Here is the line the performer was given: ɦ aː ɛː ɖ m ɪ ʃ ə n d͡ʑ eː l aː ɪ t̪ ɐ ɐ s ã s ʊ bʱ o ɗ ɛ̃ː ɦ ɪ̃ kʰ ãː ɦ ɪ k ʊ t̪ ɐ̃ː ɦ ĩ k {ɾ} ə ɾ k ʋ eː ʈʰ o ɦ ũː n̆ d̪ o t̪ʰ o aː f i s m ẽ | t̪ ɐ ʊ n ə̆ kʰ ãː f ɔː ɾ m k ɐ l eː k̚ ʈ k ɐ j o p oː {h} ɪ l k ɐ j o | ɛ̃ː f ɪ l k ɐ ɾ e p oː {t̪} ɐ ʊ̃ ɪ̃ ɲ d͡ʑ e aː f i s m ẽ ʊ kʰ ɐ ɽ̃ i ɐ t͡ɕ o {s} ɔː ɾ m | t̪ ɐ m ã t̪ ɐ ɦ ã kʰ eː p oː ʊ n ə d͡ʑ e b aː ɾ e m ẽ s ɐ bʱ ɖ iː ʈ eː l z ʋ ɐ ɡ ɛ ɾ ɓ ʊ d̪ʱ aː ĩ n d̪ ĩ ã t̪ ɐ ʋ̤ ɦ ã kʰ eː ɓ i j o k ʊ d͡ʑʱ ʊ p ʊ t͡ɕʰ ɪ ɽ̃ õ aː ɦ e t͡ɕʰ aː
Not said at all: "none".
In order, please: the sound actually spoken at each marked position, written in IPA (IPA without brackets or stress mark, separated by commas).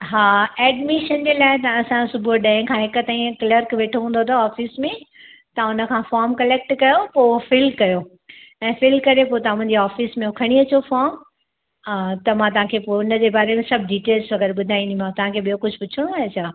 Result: l, f, t̪, f